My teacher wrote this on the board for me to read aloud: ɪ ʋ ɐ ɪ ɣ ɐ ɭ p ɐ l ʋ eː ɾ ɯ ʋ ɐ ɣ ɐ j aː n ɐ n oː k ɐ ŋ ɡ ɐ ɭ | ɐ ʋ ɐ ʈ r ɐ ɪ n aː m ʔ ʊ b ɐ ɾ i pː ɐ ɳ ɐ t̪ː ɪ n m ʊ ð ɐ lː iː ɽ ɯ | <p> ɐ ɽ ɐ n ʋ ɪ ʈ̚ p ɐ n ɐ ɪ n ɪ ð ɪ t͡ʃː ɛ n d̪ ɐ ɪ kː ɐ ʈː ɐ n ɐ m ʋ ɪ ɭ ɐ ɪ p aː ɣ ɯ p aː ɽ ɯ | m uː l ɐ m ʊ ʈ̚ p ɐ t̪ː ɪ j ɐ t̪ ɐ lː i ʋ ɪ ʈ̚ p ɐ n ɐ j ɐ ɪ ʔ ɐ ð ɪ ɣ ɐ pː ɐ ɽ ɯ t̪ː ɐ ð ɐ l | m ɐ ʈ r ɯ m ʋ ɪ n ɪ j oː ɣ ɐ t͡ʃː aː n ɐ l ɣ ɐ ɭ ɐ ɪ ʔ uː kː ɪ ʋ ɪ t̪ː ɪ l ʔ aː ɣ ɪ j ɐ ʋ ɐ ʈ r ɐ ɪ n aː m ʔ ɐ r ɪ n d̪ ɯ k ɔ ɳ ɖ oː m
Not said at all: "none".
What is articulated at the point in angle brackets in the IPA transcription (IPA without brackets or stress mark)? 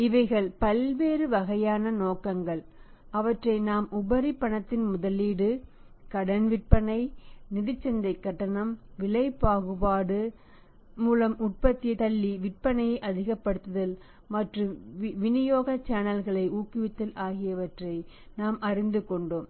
k